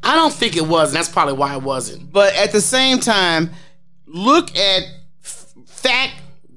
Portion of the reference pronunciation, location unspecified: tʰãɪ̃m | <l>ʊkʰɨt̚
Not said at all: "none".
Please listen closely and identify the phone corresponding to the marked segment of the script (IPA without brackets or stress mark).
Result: l